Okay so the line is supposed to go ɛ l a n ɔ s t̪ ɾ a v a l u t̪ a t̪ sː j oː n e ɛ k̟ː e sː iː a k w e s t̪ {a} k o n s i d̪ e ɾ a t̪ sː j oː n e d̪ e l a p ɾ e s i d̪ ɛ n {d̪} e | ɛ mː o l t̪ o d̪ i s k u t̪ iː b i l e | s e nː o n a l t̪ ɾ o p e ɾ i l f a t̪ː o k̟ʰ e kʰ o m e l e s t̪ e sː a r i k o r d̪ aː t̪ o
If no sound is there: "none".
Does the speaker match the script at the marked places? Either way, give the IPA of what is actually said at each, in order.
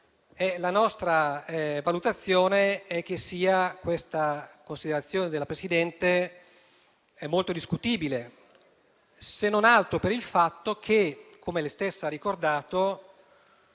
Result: a, t̪

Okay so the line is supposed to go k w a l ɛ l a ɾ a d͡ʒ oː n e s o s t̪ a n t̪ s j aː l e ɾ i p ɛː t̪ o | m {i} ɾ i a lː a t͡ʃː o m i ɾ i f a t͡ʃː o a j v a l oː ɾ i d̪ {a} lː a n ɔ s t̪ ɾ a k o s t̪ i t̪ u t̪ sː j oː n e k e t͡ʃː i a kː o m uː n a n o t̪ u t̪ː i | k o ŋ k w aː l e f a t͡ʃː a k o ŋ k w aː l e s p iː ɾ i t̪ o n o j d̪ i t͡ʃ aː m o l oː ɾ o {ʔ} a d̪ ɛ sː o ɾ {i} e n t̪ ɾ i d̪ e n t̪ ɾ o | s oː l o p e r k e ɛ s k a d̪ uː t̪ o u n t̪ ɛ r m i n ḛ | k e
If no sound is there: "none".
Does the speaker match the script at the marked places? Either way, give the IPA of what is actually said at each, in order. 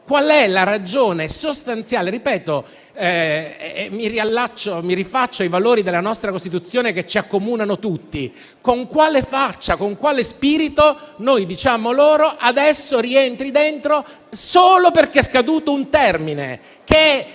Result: i, e, ʔ, i

